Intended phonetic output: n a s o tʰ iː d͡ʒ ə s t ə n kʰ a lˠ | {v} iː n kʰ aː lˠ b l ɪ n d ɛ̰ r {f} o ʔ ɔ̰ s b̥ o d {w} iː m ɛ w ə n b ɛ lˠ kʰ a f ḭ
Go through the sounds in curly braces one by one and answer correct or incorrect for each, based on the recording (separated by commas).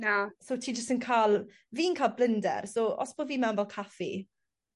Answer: correct, incorrect, incorrect